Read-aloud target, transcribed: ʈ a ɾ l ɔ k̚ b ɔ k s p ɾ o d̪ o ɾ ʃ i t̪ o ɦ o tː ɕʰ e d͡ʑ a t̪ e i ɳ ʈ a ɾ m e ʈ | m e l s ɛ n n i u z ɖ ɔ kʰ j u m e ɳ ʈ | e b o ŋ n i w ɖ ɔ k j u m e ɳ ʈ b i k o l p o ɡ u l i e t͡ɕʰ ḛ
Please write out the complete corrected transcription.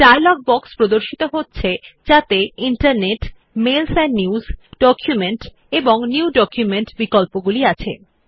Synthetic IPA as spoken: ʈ a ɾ l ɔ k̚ b ɔ k s p ɾ o d̪ o ɾ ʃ i t̪ o ɦ o tː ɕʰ e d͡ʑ a t̪ e i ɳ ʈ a ɾ n e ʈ | m e l s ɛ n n i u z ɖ ɔ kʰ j u m e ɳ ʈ | e b o ŋ n i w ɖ ɔ k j u m e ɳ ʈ b i k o l p o ɡ u l i a t͡ɕʰ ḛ